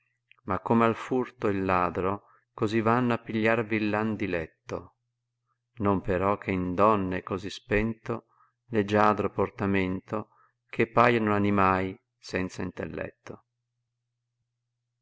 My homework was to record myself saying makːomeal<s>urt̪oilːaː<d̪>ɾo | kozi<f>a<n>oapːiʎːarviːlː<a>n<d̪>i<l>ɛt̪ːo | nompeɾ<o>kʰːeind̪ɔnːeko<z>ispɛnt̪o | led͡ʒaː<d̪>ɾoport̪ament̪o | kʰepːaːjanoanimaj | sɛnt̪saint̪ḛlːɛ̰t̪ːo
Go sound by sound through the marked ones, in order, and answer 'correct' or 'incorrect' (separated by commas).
incorrect, correct, incorrect, incorrect, correct, correct, correct, incorrect, correct, correct